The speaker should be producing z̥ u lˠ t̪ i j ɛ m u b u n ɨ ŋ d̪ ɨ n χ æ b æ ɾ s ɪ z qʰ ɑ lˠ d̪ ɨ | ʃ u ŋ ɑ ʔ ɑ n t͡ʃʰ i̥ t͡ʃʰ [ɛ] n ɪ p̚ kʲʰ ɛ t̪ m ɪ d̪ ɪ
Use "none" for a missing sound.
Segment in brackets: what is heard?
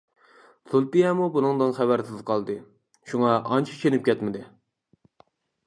e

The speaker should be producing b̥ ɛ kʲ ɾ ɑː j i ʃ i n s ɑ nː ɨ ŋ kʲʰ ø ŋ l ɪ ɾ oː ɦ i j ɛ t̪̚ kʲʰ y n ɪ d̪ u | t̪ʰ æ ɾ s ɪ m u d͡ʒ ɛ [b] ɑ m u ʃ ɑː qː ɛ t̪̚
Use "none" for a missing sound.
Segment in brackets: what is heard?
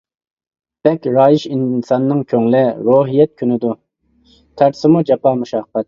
p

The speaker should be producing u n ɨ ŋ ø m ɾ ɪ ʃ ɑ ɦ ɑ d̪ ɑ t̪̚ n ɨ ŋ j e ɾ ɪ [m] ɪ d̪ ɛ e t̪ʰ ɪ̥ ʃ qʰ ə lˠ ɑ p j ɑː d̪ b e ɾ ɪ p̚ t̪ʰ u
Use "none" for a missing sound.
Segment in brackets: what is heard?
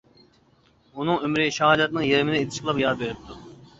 m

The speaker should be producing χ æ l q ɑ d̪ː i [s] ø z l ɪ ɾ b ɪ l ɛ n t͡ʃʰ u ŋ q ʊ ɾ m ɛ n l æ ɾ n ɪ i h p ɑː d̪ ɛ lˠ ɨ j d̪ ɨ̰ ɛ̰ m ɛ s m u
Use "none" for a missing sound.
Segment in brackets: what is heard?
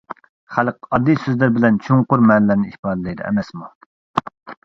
s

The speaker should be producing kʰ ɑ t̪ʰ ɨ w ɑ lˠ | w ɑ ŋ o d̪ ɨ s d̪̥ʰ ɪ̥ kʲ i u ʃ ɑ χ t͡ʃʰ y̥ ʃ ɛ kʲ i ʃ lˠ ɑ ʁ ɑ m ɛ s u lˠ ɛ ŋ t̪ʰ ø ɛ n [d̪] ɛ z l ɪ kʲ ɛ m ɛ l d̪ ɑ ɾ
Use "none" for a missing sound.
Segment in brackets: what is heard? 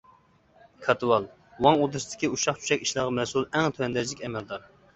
d̪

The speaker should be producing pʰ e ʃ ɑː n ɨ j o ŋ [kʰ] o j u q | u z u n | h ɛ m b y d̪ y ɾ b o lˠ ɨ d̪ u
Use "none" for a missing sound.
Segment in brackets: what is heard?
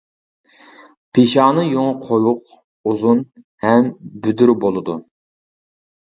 qʰ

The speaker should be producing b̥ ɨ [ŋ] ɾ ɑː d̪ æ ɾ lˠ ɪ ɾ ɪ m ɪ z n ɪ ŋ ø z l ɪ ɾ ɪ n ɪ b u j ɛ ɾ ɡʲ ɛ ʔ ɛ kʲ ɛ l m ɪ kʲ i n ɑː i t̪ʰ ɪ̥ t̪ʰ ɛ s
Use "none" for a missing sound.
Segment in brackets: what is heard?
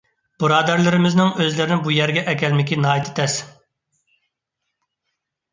none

